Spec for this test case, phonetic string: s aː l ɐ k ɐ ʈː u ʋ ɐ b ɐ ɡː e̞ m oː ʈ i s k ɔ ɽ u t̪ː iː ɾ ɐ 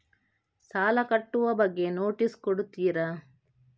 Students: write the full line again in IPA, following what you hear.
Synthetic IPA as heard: s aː l ɐ k ɐ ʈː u ʋ ɐ b ɐ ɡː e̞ n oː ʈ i s k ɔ ɽ u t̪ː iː ɾ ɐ